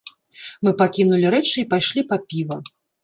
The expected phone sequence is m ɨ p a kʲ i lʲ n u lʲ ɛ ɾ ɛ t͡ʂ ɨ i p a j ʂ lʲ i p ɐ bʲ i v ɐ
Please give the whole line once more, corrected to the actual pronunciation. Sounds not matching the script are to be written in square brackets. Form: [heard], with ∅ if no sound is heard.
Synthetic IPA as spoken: m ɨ p a kʲ i [∅] n u lʲ [i] ɾ ɛ t͡ʂ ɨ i p a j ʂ lʲ i p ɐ [pʲ] i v ɐ